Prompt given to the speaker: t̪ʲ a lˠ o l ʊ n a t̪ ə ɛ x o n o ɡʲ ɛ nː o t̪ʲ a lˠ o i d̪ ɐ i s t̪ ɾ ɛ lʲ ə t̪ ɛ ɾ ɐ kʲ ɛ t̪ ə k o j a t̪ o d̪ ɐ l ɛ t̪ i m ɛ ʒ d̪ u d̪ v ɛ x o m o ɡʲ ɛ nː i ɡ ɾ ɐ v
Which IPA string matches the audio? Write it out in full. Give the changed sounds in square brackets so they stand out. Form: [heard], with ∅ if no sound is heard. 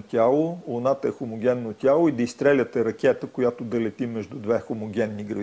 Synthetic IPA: t̪ʲ a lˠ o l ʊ n a t̪ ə ɛ x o [m] o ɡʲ ɛ nː o t̪ʲ a lˠ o i d̪ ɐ i s t̪ ɾ ɛ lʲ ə t̪ ɛ ɾ ɐ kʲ ɛ t̪ ə k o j a t̪ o d̪ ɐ l ɛ t̪ i m ɛ ʒ d̪ u d̪ v ɛ x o m o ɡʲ ɛ nː i ɡ ɾ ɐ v